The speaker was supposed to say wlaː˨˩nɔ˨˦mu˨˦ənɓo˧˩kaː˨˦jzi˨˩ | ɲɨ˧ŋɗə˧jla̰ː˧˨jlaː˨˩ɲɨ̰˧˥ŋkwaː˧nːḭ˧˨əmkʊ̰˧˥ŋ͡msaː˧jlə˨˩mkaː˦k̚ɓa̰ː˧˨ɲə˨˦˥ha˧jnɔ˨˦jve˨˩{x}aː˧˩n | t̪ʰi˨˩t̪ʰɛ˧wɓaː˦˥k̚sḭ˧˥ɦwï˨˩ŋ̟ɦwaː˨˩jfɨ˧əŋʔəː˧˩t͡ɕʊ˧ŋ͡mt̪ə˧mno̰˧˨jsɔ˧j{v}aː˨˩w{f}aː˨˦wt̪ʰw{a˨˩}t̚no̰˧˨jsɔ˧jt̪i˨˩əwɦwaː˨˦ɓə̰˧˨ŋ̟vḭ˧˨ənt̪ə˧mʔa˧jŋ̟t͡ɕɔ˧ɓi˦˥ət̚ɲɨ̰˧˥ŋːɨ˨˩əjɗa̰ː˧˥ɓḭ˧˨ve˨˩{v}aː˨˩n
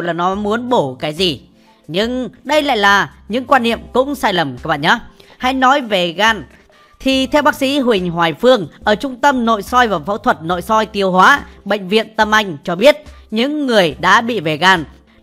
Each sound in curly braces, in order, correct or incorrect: incorrect: ɣ, correct, correct, incorrect: ə˨˩, incorrect: ɣ

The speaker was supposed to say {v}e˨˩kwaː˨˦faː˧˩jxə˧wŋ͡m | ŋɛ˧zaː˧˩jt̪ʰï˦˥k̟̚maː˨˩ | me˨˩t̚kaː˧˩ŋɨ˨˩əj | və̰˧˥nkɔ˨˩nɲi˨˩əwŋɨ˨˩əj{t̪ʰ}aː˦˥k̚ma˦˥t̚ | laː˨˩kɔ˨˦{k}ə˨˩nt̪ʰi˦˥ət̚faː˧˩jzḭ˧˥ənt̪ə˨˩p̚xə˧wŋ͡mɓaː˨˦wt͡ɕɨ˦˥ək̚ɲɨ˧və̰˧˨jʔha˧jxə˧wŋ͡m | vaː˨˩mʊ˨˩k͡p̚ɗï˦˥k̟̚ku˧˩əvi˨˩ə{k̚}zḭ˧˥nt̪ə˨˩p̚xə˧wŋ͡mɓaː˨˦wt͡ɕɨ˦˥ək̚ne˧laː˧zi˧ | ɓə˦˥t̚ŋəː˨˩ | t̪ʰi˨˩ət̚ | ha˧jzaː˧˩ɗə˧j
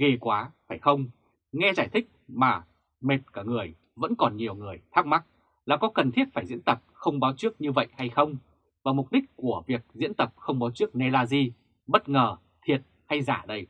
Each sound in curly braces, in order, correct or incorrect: incorrect: ɣ, correct, correct, correct

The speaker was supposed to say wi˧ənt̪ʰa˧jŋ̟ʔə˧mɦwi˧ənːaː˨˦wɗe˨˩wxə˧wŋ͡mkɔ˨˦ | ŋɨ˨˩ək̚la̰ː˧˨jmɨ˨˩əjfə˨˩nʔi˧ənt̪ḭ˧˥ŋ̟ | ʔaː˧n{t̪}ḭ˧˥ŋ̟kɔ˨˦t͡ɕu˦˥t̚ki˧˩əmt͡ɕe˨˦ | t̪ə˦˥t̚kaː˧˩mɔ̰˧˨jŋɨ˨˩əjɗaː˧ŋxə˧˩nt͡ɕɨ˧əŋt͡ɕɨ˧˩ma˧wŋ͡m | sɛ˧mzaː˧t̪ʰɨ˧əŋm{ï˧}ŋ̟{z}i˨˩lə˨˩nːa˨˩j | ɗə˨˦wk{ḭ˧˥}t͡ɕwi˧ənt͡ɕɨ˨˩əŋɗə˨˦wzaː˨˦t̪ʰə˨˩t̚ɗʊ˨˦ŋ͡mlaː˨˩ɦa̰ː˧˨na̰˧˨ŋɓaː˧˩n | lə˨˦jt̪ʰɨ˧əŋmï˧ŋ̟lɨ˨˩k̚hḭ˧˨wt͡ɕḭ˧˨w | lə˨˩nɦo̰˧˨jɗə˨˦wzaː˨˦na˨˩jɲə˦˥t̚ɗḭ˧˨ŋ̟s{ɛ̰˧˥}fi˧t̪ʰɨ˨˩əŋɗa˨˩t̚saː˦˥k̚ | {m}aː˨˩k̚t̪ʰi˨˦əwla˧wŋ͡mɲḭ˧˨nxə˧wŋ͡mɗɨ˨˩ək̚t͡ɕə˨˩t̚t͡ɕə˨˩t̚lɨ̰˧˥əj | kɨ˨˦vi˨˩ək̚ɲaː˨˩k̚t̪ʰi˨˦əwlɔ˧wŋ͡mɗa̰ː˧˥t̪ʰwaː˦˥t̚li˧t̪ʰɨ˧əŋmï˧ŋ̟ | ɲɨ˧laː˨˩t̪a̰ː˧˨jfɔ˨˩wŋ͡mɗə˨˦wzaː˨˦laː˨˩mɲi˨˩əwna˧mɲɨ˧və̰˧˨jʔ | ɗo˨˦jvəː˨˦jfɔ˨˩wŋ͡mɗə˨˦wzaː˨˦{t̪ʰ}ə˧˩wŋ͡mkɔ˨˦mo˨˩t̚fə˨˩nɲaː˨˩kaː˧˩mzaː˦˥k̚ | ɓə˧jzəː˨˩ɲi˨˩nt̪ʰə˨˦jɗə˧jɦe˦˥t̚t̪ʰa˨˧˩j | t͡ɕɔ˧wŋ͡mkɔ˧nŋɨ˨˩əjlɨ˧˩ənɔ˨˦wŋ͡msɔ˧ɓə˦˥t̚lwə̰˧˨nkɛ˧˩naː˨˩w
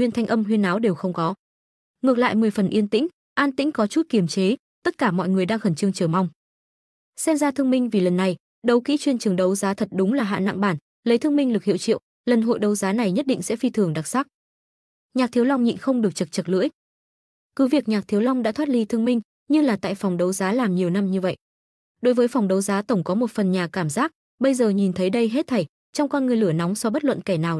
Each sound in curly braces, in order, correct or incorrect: correct, correct, incorrect: v, correct, correct, incorrect: ɲ, incorrect: t̪

